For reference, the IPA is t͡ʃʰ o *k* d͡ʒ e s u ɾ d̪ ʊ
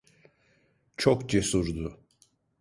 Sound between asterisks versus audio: correct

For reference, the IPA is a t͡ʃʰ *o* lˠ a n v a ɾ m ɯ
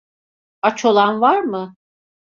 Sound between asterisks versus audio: correct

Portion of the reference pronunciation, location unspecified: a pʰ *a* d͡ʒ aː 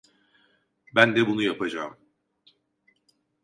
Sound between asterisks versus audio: correct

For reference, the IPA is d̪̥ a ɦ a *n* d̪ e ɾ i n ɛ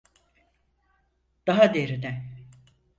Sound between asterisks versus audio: incorrect: none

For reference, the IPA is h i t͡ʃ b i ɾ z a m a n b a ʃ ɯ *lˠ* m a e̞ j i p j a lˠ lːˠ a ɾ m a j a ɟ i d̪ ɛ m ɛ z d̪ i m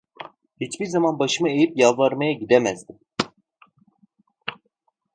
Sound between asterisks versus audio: incorrect: none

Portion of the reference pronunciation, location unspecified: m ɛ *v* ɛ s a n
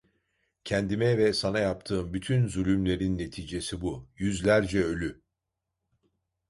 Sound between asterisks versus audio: correct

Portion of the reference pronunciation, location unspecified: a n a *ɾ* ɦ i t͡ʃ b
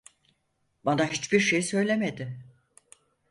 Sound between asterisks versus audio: incorrect: none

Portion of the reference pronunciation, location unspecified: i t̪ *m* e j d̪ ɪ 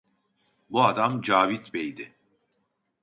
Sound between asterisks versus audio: incorrect: b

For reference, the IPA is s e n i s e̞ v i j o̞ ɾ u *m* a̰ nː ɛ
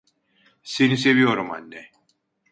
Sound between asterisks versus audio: correct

